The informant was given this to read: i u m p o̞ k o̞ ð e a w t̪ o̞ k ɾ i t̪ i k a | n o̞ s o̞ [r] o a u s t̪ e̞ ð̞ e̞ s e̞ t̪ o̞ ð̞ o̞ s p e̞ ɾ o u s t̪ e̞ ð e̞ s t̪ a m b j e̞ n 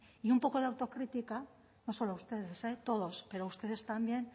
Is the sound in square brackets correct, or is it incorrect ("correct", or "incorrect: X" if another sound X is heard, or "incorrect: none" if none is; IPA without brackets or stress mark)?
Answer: incorrect: l